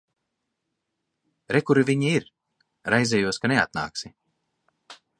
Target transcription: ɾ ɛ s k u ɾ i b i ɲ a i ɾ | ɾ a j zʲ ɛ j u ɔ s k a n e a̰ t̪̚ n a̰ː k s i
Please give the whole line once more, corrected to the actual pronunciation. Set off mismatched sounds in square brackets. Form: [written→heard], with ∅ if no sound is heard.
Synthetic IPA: ɾ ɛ [s→∅] k u ɾ i [b→v] i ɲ [a→i] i ɾ | ɾ a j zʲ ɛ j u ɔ s k a n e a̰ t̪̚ n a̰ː k s i

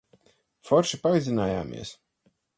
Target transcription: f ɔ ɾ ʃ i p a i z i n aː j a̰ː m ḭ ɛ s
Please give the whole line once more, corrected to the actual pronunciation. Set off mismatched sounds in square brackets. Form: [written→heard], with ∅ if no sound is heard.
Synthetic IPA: f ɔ ɾ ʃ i p a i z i n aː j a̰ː m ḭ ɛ s

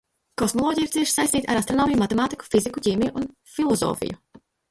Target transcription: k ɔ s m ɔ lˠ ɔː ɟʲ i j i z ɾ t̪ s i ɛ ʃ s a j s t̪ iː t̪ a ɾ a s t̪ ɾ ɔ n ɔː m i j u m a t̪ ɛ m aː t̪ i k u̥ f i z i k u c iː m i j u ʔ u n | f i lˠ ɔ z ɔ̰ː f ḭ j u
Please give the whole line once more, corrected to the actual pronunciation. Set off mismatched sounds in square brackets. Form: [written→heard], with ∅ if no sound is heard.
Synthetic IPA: k ɔ s m ɔ lˠ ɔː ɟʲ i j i [z→∅] ɾ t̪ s i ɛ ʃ s a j s t̪ iː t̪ a ɾ a s t̪ ɾ ɔ n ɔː m i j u m a t̪ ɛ m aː t̪ i k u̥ f i z i k u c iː m i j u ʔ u n | f i lˠ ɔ z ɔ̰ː f ḭ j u

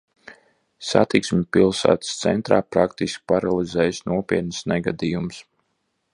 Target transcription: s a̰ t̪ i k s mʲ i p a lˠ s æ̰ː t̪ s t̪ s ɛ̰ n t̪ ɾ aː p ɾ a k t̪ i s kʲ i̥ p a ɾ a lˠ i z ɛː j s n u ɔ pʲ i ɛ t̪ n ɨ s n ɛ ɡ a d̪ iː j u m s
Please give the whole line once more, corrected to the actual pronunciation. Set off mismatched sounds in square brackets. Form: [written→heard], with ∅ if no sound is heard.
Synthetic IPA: s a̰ t̪ i k s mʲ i p [a→i] lˠ s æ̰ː t̪ s t̪ s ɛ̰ n t̪ ɾ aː p ɾ a k t̪ i s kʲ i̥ p a ɾ a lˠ i z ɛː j s n u ɔ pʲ i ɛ t̪ n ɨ s n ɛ ɡ a d̪ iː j u m s

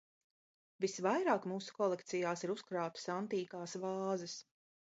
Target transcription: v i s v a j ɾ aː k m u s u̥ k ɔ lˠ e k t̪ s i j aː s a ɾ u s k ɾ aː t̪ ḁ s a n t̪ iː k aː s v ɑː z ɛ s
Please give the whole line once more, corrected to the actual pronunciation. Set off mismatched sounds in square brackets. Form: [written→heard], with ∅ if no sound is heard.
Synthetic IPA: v i s v a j ɾ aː k m [u→uː] s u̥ k ɔ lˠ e k t̪ s i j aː s [a→i] ɾ u s k ɾ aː t̪ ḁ s a n t̪ iː k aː s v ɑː z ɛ s

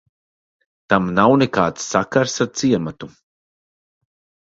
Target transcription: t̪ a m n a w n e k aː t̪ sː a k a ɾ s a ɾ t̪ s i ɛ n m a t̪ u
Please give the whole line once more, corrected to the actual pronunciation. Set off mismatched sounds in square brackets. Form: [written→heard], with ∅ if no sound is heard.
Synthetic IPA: t̪ a m n a w n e k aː t̪ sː a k a ɾ s a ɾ t̪ s i ɛ [n→∅] m a t̪ u

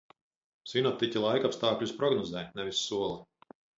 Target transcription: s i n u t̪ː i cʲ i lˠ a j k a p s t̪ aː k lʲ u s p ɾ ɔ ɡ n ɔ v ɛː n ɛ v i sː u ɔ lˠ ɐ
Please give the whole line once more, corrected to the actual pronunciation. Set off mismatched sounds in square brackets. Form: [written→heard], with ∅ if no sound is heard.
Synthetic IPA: s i n [u→ɔ] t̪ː i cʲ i lˠ a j k a p s t̪ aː k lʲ u s p ɾ ɔ ɡ n ɔ [v→z] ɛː n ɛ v i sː u ɔ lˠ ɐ

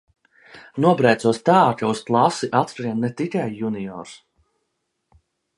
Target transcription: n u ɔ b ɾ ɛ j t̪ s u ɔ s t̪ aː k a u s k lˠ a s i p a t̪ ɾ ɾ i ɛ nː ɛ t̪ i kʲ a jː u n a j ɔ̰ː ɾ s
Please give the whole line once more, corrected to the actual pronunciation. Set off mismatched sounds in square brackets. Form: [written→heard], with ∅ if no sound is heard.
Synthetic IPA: n u ɔ b ɾ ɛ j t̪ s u ɔ s t̪ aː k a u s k lˠ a s i [p→ʔ] a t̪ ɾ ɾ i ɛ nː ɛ t̪ i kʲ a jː u n [a→i] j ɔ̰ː ɾ s

